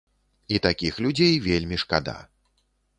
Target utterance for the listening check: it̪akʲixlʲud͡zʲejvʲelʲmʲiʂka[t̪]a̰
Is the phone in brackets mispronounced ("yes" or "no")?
yes